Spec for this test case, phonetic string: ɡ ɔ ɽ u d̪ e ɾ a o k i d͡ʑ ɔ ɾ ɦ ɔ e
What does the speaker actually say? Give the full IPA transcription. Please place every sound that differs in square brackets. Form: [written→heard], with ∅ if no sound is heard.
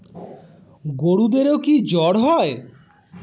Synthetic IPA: ɡ [ɔ→o] ɽ u d̪ e ɾ [a→e] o k i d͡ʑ ɔ [ɾ→ɽ] ɦ ɔ e